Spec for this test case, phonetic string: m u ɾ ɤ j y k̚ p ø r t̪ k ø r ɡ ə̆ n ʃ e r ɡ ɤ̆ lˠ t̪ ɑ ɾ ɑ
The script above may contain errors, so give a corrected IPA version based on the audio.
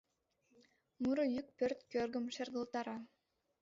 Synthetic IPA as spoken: m u ɾ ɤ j y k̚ p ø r t̪ k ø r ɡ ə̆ m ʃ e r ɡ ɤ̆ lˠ t̪ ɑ ɾ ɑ